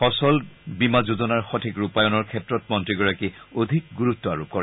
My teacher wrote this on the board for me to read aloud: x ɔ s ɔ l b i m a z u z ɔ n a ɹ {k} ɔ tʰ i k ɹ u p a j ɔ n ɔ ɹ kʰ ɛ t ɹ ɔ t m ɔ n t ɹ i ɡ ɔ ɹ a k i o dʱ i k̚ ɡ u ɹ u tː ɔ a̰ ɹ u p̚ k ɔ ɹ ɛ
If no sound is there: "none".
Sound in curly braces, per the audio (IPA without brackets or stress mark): x